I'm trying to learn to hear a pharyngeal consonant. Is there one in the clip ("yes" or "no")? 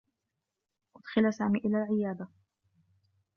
yes